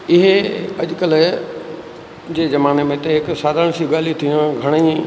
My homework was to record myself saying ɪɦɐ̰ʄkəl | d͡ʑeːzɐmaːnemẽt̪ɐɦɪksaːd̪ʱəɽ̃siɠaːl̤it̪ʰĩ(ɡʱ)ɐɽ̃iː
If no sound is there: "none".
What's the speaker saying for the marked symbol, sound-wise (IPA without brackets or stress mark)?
ɡʱ